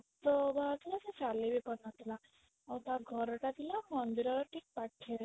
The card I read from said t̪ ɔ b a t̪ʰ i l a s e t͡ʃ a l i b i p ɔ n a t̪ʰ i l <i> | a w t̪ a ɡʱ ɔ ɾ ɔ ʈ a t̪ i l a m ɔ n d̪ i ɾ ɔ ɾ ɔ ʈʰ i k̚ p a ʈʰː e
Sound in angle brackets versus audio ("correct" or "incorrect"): incorrect